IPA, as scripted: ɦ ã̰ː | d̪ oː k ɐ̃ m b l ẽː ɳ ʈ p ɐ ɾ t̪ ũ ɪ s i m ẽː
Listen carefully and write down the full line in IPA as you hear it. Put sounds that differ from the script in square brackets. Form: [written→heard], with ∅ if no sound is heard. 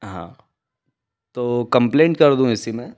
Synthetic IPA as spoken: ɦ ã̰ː | [d̪→t̪] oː k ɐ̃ m [b→p] l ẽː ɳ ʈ [p→k] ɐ ɾ [t̪→d̪] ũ ɪ s i m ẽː